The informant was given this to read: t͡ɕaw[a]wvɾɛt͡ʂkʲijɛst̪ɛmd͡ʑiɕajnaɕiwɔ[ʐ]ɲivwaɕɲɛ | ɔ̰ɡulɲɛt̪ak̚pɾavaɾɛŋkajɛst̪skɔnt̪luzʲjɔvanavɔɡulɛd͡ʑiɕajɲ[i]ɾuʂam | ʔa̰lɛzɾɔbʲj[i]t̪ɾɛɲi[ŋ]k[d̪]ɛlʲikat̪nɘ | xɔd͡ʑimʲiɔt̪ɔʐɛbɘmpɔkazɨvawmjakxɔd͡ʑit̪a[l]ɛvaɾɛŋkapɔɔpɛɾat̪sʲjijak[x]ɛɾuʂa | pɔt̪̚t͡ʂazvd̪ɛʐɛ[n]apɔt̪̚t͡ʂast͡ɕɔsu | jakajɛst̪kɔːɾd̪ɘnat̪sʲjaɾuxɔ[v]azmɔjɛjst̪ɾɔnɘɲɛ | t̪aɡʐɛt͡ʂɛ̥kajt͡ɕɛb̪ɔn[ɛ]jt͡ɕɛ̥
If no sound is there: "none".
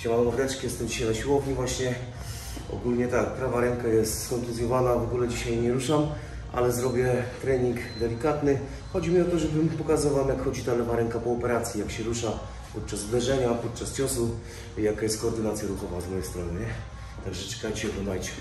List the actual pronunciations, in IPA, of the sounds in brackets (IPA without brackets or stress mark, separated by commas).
a, v, ɛ, ɛ, ŋ, d̪, l, ɕ, ɲ, v, a